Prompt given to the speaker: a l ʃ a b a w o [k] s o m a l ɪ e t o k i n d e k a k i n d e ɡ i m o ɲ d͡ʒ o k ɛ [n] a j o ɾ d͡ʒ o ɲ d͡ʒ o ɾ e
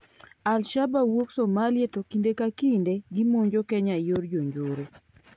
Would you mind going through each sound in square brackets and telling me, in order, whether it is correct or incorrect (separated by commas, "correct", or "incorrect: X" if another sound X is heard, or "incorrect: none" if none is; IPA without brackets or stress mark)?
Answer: correct, incorrect: ɲ